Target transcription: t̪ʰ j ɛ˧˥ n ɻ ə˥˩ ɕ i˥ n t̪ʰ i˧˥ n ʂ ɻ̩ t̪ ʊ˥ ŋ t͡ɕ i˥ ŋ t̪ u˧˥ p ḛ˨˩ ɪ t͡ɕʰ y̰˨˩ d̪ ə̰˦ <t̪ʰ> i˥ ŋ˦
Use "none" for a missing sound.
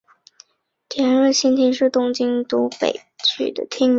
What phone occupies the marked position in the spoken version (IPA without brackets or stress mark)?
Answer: t̪ʰ